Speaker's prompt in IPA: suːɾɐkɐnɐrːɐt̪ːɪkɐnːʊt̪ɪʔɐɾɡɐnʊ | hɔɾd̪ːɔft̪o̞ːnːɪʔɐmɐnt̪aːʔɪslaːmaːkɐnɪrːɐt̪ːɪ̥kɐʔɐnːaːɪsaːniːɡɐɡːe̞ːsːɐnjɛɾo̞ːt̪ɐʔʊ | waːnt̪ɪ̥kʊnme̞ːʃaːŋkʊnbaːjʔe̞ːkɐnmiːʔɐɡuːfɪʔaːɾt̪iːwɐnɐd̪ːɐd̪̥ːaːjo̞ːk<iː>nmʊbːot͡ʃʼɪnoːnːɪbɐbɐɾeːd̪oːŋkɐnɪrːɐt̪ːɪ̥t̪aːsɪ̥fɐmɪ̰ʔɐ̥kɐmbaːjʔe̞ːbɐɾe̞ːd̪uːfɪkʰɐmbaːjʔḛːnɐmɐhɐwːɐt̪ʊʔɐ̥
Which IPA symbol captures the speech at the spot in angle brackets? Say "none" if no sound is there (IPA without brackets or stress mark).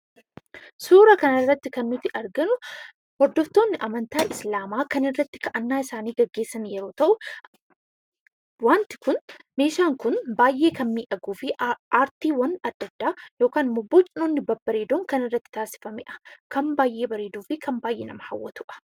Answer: aː